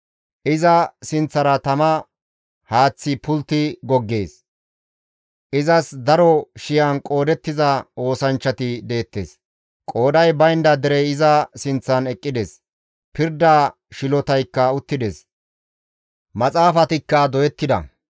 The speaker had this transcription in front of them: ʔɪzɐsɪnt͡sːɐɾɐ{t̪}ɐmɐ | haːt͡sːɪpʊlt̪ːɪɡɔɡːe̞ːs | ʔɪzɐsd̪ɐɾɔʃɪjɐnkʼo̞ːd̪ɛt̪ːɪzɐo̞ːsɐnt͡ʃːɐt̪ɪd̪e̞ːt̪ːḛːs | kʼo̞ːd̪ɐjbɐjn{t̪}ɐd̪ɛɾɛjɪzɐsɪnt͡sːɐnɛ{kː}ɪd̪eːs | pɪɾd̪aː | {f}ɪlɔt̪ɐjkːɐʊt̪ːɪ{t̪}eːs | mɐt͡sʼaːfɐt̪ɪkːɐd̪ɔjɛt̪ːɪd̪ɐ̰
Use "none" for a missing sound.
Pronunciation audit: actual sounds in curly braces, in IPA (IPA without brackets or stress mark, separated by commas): t̪, d̪, kʼː, ʃ, d̪